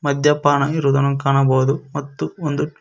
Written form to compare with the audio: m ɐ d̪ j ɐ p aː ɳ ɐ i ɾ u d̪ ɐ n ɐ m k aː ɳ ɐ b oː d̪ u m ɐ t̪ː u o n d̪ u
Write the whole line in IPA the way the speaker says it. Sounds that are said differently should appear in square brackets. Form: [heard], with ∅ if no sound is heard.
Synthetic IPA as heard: m ɐ d̪ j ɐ p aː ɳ ɐ i ɾ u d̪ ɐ n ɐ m k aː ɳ ɐ b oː d̪ u m ɐ t̪ː u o n d̪ u